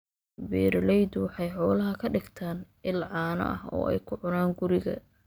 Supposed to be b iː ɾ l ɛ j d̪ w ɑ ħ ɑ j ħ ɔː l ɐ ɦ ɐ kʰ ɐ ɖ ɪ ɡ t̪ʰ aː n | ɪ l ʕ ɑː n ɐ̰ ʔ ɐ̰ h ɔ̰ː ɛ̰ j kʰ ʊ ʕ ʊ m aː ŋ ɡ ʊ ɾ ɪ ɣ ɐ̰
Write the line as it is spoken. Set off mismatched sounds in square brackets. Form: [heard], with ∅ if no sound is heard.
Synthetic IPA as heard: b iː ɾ l ɛ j d̪ w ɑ ħ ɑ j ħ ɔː l ɐ ɦ ɐ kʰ ɐ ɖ ɪ ɡ t̪ʰ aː n | ɪ l ʕ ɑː n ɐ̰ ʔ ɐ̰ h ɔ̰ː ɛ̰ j kʰ ʊ ʕ ʊ [n] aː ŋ ɡ ʊ ɾ ɪ ɣ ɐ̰